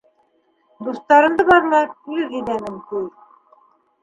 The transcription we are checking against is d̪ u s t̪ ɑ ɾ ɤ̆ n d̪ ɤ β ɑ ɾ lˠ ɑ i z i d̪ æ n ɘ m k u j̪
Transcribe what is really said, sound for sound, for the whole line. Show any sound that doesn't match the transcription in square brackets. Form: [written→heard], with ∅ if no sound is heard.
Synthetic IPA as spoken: d̪ u s t̪ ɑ ɾ ɤ̆ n d̪ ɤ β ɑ ɾ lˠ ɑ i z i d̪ æ n ɘ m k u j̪